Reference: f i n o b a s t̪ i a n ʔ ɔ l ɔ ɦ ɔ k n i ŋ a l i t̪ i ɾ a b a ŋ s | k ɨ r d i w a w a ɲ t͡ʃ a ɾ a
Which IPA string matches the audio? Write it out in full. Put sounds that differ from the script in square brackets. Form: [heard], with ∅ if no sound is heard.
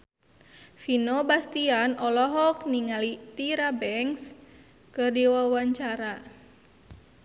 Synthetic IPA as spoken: f i n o b a s t̪ i a n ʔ ɔ l ɔ ɦ ɔ k n i ŋ a l i t̪ i ɾ a b [ɛ] ŋ s | k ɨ r d i w a w a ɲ t͡ʃ a ɾ a